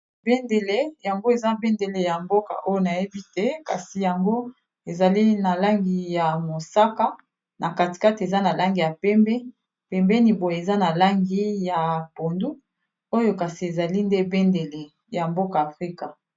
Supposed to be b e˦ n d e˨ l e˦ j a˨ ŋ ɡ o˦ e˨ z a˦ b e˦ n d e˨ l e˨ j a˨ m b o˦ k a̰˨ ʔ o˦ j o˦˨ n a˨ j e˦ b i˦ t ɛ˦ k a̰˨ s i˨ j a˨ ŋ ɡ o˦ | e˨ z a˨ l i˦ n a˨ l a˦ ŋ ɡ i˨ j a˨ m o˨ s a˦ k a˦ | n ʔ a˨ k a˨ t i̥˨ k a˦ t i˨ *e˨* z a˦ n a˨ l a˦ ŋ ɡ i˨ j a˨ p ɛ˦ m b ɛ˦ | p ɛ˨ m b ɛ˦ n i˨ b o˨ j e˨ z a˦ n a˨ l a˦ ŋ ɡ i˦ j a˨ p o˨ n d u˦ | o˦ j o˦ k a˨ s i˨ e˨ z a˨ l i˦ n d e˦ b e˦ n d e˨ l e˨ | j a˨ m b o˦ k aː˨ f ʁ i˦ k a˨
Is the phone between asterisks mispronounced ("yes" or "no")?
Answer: no